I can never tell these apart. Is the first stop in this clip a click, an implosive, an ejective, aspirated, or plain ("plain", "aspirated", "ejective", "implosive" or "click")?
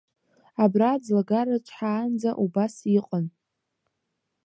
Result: plain